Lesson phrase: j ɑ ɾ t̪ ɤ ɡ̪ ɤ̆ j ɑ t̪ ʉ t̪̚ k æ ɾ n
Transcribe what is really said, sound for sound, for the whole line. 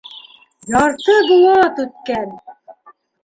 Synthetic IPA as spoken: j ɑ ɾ t̪ ɤ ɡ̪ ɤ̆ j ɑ t̪ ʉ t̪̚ k æ n